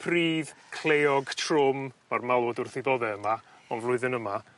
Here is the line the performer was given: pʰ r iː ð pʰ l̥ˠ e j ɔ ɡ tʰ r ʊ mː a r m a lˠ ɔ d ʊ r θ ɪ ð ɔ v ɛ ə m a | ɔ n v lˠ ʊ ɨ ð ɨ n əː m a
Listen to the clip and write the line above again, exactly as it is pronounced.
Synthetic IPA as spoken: pʰ r iː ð kʰ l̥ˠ e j ɔ ɡ tʰ r ʊ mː a r m a lˠ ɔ d ʊ r θ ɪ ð ɔ ð ɛ ə m a | ɔ n v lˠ ʊ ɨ ð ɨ n ə m a